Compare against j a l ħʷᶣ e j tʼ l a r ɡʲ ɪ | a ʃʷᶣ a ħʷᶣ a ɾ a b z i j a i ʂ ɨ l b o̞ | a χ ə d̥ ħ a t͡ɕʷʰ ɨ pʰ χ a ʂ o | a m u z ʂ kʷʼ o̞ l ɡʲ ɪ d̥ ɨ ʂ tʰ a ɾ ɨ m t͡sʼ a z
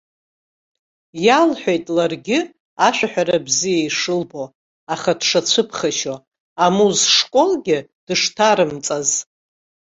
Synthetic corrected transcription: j a l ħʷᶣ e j tʼ l a r ɡʲ ɪ | a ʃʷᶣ a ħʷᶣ a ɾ a b z i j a i ʂ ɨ l b o̞ | a χ a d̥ ʂ a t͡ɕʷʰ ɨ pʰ χ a ʃ o | a m u z ʂ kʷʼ o̞ l ɡʲ ɪ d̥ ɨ ʂ tʰ a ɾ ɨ m t͡sʼ a z